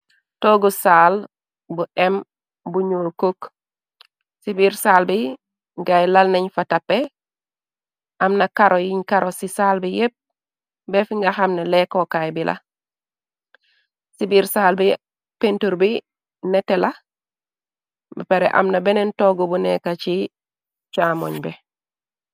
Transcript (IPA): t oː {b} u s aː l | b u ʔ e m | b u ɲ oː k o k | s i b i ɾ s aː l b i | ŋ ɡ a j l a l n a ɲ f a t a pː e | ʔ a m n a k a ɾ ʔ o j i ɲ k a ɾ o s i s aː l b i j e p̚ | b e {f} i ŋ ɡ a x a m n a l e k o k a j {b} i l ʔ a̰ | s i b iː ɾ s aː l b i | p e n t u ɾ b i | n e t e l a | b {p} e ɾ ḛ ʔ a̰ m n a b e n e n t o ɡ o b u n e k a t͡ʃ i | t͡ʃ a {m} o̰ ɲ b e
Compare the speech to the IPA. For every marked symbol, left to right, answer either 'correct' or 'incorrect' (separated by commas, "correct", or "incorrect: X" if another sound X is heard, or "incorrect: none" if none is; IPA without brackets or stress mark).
incorrect: ɡ, correct, correct, correct, correct